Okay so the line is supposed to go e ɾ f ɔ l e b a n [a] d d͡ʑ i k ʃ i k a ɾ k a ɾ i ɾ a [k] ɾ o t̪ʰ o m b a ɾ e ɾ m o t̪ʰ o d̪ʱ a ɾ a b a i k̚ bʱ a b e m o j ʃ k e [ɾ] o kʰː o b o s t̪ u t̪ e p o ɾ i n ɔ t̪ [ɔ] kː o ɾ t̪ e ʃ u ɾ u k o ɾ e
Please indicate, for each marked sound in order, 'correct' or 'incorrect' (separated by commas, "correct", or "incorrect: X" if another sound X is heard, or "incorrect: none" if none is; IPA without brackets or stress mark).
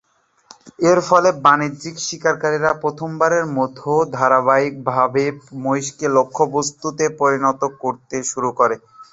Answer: incorrect: i, incorrect: p, incorrect: l, incorrect: o